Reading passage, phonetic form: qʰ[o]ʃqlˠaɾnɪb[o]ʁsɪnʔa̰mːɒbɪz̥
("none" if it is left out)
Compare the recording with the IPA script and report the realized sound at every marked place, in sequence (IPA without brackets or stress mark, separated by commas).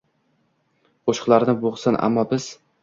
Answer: o, o